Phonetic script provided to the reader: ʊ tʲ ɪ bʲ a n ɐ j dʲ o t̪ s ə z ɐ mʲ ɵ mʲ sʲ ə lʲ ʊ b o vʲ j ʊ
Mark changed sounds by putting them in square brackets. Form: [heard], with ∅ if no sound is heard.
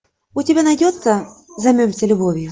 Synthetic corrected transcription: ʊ tʲ ɪ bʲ a n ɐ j dʲ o t̪ s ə z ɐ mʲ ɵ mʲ sʲ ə lʲ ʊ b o vʲ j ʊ